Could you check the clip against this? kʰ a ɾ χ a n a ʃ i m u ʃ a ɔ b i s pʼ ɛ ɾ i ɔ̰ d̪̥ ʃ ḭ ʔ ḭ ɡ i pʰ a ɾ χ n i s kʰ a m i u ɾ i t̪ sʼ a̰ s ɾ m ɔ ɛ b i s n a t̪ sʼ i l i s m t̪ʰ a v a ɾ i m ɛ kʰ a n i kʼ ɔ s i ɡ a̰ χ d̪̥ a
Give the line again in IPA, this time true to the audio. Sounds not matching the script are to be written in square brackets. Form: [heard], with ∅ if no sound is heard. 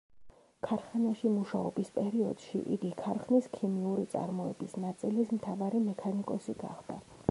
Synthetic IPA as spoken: kʰ a ɾ χ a n a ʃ i m u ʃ a ɔ b i s pʼ ɛ ɾ i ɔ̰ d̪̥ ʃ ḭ ʔ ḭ ɡ i [kʰ] a ɾ χ n i s kʰ [i] m i u ɾ i t̪ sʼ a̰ [∅] ɾ m ɔ ɛ b i s n a t̪ sʼ i l i s m t̪ʰ a v a ɾ i m ɛ kʰ a n i kʼ ɔ s i ɡ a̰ χ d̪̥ a